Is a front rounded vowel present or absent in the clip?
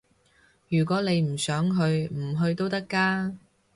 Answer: present